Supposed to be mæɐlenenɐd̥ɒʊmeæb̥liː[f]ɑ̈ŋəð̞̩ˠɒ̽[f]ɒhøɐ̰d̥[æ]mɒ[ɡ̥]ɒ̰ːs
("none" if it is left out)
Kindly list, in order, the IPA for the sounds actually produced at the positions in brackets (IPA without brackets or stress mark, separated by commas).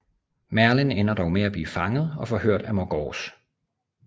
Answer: f, f, æ, ɡ̥